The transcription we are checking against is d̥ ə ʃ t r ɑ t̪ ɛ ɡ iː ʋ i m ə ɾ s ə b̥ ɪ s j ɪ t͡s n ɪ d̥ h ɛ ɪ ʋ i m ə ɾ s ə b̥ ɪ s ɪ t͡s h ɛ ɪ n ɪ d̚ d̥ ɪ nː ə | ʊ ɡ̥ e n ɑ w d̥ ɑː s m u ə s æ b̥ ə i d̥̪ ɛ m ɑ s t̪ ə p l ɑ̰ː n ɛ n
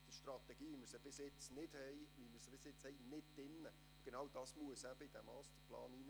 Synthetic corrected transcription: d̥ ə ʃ t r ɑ t̪ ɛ ɡ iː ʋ i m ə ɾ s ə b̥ ɪ s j ɪ t͡s n ɪ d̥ h ɛ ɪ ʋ i m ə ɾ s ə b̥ ɪ s ɪ t͡s h ɛ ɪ n ɪ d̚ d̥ ɪ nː ə | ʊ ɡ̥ e n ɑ w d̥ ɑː s m u ə s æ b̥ ə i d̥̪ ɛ m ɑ s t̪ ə p l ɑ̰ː n i n

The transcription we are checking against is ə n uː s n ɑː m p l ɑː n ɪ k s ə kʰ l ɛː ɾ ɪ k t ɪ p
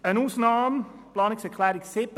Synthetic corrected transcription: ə n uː s n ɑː m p l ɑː n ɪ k s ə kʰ l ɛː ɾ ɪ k s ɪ p

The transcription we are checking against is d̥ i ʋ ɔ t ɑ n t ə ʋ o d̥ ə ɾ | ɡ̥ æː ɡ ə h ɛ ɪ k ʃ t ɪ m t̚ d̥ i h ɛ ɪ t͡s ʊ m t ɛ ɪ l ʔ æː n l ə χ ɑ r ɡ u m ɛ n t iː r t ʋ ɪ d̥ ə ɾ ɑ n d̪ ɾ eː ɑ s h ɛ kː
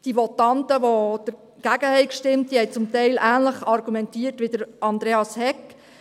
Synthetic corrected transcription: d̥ i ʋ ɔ t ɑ n t ə ʋ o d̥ ə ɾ | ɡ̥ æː ɡ ə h ɛ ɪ k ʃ t ɪ m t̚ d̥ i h ɛ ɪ t͡s ʊ m t ɛ ɪ l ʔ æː n l ə χ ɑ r ɡ u m ɛ n t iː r t ʋ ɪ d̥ ə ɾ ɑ n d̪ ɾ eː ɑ s h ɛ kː

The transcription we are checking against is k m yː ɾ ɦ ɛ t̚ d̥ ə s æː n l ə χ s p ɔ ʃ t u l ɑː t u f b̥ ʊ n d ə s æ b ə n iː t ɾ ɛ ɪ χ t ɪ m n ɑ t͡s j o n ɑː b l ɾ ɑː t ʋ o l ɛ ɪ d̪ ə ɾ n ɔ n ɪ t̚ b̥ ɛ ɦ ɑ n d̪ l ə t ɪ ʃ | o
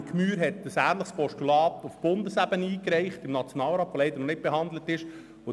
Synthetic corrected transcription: k m yː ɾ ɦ ɛ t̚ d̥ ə s æː n l ə χ s p ɔ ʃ t u l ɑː t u f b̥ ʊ n d ə s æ b ə n iː k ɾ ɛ ɪ χ t ɪ m n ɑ t͡s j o n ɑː l ɾ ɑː t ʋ o l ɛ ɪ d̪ ə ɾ n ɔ n ɪ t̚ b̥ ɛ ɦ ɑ n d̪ l ə t ɪ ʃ | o

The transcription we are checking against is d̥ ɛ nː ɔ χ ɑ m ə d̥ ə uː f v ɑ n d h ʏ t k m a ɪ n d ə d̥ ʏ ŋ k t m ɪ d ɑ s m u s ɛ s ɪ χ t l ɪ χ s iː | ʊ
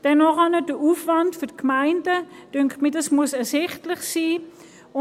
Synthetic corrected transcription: d̥ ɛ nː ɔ χ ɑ n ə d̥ ə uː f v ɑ n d f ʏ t k m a ɪ n d ə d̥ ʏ ŋ k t m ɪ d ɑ s m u s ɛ s ɪ χ t l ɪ χ s iː | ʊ

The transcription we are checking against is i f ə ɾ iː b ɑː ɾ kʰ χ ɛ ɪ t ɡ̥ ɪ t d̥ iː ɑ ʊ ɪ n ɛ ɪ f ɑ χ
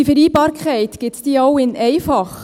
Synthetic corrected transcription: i f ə ɾ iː b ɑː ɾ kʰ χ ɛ ɪ t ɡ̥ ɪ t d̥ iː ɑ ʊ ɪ n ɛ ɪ f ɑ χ

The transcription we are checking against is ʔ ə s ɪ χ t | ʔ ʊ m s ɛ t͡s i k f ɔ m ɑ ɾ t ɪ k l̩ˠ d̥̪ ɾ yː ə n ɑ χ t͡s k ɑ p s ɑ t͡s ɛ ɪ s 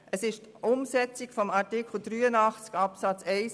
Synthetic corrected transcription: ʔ ə s ɪ ʃ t | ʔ ʊ m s ɛ t͡s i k f ɔ m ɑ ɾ t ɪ k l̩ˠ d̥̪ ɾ yː ə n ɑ χ t͡s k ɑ p s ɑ t͡s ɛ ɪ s

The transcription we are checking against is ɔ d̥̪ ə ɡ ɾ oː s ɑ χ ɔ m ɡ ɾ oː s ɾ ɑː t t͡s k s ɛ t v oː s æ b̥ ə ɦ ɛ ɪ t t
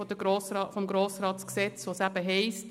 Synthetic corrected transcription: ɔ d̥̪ ə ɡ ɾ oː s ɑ f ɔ m ɡ ɾ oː s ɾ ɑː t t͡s k s ɛ t͡s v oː s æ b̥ ə ɦ ɛ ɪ s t

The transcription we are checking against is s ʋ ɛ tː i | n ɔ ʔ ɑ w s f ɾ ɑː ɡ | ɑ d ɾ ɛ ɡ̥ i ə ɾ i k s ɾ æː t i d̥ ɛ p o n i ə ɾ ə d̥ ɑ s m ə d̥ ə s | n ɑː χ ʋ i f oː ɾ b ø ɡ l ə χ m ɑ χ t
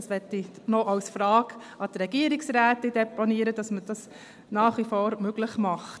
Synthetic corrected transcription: s ʋ ɛ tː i | n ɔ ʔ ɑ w s f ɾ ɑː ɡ | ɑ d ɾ ɛ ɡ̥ i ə ɾ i k s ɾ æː t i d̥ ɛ p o n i ə ɾ ə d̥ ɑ s m ə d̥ ɑ s | n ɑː χ ʋ i f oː ɾ m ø ɡ l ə χ m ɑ χ t

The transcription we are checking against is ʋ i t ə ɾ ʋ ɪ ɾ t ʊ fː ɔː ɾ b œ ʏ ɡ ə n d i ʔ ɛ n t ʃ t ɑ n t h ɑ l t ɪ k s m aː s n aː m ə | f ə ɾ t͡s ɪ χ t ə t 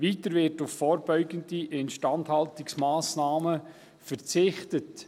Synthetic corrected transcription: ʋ i t ə ɾ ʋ ɪ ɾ t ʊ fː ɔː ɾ b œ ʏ ɡ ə n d i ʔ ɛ n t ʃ t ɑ n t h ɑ l t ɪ k s m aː s n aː m ə | f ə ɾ t͡s ɪ χ t ə t

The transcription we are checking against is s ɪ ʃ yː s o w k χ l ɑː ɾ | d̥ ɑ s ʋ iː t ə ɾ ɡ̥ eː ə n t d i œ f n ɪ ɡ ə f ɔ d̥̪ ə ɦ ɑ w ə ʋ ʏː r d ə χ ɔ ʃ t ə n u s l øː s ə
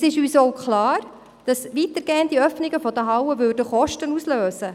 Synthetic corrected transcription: s ɪ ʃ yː s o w k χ l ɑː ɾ | d̥ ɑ s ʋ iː t ə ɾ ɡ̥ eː ə n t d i œ f n ɪ ɡ ə f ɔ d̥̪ ə ɦ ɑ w ə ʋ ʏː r d ə χ ɔ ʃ t ə n u s l øː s ə

